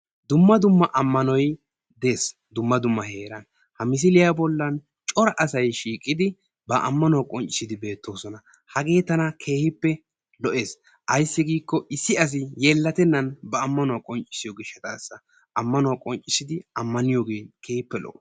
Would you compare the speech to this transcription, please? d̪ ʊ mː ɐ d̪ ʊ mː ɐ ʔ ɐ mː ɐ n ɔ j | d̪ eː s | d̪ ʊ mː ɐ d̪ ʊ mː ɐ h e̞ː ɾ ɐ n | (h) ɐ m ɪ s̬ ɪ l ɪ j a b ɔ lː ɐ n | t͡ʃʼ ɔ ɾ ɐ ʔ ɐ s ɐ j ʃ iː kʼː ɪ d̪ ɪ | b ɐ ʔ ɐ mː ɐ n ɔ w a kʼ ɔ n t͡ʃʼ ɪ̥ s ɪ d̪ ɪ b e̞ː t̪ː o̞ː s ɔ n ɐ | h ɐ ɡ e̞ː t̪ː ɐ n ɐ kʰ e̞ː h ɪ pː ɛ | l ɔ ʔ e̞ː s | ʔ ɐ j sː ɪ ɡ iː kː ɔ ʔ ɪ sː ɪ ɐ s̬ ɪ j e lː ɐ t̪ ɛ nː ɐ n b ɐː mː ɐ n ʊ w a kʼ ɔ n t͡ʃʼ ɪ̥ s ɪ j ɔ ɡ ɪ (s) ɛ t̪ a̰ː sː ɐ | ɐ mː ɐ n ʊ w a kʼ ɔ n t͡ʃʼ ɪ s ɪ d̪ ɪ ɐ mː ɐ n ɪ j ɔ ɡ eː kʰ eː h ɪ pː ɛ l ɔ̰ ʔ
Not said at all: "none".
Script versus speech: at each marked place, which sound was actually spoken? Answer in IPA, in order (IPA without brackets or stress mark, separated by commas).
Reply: h, ʃ